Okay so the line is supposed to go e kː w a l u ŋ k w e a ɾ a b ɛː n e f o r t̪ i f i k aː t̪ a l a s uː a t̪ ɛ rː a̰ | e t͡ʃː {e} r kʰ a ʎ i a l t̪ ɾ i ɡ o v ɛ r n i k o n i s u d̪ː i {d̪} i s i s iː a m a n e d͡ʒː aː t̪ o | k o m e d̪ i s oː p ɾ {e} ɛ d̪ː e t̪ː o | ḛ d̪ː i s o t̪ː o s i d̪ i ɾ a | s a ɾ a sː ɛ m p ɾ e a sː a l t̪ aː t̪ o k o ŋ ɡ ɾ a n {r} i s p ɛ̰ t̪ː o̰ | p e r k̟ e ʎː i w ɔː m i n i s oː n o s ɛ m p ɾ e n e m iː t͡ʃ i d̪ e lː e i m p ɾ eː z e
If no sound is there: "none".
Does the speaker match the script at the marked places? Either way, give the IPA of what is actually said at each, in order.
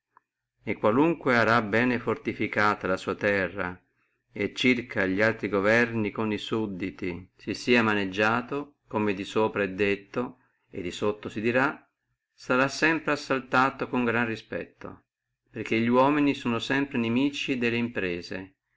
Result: i, t̪, a, r

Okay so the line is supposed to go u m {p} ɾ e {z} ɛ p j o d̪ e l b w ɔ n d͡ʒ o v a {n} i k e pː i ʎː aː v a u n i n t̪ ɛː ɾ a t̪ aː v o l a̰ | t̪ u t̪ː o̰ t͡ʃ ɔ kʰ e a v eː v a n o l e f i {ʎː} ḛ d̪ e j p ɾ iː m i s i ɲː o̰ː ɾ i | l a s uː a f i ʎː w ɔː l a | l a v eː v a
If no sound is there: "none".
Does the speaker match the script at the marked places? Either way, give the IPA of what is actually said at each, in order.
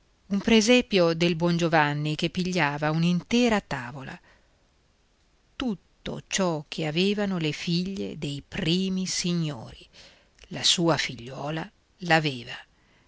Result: p, z, nː, ʎː

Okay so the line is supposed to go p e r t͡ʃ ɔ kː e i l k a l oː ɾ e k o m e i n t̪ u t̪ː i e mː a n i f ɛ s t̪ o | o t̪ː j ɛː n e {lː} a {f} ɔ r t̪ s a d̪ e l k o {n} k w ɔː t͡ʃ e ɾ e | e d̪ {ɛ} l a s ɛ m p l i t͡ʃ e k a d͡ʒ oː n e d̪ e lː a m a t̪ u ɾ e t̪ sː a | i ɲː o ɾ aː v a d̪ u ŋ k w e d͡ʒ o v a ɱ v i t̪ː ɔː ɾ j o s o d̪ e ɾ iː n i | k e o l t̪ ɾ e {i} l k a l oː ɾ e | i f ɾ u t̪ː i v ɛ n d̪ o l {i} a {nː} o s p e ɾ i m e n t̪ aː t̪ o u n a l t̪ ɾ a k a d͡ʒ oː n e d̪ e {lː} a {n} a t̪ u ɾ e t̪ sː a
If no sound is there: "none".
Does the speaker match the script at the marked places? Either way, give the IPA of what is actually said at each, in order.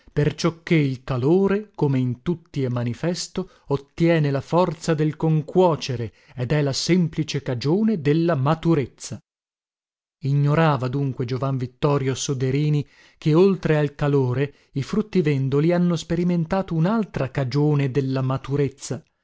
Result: l, f, ŋ, ɛ, a, i, nː, lː, m

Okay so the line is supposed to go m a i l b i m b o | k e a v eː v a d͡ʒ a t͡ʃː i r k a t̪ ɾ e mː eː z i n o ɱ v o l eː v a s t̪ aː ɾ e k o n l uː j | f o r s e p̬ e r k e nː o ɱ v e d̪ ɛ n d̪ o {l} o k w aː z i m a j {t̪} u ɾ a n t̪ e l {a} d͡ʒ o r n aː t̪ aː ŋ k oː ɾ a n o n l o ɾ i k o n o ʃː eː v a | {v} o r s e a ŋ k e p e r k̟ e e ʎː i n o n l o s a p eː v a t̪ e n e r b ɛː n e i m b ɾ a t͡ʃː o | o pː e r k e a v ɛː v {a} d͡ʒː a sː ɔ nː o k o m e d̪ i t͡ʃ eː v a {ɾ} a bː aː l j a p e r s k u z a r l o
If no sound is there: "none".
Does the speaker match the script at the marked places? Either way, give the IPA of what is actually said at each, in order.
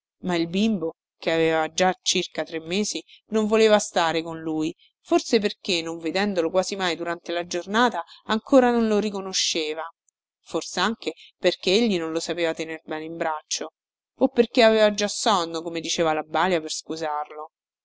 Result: l, d̪, a, f, a, l

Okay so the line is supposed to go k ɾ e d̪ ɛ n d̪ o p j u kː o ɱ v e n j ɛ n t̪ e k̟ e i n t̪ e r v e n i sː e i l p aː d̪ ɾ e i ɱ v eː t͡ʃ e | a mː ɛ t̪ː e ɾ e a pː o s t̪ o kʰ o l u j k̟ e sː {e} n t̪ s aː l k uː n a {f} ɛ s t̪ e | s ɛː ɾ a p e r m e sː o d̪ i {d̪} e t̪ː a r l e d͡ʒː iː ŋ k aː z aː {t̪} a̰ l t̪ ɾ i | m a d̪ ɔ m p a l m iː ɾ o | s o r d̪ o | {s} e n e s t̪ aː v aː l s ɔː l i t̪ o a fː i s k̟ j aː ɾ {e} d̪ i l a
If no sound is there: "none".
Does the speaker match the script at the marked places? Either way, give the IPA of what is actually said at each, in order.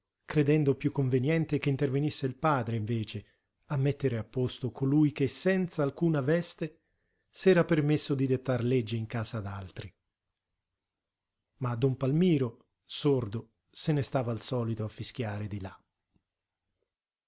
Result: ɛ, v, d̪, d̪, s, e

